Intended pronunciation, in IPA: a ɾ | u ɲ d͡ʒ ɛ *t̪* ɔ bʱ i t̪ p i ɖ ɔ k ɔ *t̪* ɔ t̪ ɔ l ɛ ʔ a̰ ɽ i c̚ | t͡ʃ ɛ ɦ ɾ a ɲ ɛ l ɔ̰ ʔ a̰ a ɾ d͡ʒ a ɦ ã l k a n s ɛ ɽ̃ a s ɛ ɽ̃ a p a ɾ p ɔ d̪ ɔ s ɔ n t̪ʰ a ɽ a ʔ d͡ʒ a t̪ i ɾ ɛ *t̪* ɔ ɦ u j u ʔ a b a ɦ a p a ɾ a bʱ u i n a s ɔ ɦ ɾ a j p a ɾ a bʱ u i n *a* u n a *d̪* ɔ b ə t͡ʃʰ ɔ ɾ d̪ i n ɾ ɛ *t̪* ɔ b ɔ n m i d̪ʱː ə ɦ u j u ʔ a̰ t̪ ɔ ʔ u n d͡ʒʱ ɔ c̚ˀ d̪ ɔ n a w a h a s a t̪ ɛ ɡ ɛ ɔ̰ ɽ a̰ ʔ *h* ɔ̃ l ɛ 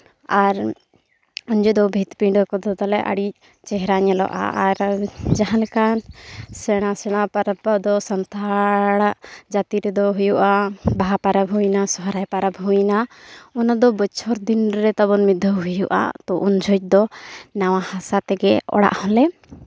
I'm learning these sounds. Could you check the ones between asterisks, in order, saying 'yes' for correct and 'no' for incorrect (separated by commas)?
no, no, no, yes, yes, yes, yes